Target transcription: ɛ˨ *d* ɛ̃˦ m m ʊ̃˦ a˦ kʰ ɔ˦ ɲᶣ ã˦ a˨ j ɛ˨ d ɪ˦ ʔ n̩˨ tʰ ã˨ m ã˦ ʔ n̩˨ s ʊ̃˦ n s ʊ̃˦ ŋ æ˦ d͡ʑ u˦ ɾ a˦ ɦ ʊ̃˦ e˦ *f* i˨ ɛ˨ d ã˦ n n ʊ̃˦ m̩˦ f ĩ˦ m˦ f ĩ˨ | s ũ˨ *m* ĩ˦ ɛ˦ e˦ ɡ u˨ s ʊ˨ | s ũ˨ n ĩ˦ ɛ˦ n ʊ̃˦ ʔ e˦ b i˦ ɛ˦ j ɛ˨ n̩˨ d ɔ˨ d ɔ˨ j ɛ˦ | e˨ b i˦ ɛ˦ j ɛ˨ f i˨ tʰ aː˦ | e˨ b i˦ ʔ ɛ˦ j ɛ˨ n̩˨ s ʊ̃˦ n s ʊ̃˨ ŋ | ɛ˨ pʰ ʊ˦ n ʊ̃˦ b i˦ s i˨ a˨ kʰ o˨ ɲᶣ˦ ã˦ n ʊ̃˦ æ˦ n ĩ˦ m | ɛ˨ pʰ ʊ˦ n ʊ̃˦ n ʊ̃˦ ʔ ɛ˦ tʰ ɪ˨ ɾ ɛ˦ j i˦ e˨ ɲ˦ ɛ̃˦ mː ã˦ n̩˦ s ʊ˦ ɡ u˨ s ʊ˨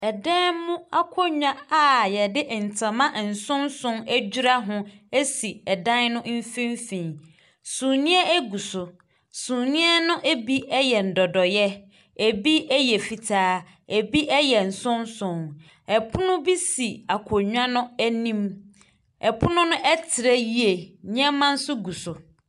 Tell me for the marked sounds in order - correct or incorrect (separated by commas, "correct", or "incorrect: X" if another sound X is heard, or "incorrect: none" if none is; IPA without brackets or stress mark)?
correct, incorrect: s, incorrect: n